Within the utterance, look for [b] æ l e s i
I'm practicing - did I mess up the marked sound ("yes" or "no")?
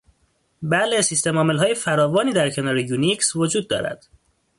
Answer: no